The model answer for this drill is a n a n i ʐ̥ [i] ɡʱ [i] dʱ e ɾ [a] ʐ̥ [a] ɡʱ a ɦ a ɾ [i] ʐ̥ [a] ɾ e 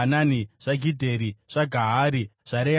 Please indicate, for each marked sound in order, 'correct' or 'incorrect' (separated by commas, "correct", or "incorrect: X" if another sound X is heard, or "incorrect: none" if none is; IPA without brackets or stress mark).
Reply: incorrect: a, correct, incorrect: i, correct, correct, correct